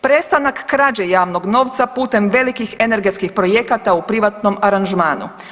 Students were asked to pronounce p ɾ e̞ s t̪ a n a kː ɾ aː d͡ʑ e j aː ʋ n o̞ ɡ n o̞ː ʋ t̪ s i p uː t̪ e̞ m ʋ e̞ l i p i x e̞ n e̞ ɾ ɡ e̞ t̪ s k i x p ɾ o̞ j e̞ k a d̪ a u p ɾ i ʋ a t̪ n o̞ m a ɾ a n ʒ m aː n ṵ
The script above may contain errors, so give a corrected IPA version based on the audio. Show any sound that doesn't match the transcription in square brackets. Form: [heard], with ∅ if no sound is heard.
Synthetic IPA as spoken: p ɾ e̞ s t̪ a n a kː ɾ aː d͡ʑ e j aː ʋ n o̞ ɡ n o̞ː ʋ t̪ s [a] p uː t̪ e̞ m ʋ e̞ l i [k] i x e̞ n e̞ ɾ ɡ e̞ t̪ s k i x p ɾ o̞ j e̞ k a [t̪] a u p ɾ i ʋ a t̪ n o̞ m a ɾ a n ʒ m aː n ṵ